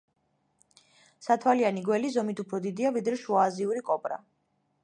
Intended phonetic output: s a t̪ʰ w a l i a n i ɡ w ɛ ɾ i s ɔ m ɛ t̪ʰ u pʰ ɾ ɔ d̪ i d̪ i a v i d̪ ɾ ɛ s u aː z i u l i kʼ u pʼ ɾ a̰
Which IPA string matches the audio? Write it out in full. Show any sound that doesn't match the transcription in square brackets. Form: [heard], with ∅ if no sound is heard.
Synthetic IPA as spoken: s a t̪ʰ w a l i a n i ɡ w ɛ [l] i [z] ɔ m [i] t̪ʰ u pʰ ɾ ɔ d̪ i d̪ i a v i d̪ ɾ ɛ [ʃ] u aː z i u [ɾ] i kʼ [ɔ] pʼ ɾ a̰